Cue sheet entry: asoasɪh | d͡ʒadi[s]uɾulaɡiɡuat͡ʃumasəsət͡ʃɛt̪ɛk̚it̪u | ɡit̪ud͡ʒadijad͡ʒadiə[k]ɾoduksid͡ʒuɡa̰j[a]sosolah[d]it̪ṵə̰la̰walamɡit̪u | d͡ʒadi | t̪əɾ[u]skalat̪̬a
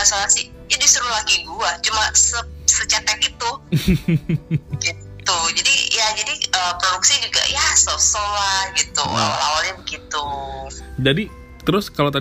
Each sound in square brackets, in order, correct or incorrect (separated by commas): correct, incorrect, correct, incorrect, incorrect